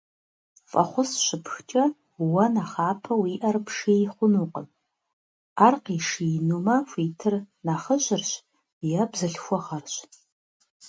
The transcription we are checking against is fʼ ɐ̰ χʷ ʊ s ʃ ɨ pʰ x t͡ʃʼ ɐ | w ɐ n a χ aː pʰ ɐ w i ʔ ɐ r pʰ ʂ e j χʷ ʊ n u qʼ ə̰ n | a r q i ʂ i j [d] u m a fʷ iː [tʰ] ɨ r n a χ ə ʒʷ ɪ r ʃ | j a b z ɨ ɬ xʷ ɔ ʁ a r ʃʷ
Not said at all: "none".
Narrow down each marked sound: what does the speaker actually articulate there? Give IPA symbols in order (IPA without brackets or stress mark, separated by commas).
n, tʰ